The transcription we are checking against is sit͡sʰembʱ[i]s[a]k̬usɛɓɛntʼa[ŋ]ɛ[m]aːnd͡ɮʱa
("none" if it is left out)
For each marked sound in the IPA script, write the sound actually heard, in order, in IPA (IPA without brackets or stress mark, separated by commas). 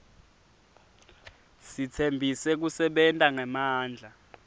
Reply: i, ɛ, ŋ, m